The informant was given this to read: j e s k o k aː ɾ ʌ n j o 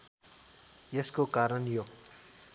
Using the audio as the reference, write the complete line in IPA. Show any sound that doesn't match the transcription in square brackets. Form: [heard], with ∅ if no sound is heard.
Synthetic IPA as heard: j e s k o k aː ɾ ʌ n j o